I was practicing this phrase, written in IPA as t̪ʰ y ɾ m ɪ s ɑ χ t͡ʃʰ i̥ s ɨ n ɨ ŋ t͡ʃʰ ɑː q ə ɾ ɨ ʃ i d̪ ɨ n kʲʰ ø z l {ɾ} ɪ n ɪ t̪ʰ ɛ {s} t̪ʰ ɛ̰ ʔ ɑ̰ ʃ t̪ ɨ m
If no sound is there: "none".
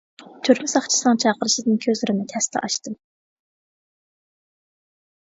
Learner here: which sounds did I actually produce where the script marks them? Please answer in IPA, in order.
ɾ, s

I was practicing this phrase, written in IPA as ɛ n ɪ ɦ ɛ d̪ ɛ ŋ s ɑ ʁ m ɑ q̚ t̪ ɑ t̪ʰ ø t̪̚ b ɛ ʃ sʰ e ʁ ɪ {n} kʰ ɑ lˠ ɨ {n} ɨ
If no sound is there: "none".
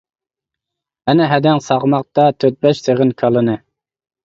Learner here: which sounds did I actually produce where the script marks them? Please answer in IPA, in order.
n, n

